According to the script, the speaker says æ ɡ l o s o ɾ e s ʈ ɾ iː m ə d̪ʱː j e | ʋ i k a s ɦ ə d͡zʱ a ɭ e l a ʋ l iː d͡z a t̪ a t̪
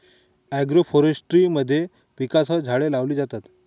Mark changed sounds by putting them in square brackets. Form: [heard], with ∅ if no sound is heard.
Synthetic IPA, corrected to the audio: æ ɡ [ɾ] o [f] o ɾ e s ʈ ɾ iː m ə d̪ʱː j e | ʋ i k a s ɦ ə d͡zʱ a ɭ e l a ʋ l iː d͡z a t̪ a t̪